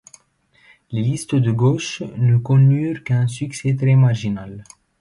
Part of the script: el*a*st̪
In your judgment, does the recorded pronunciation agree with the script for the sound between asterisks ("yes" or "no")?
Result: no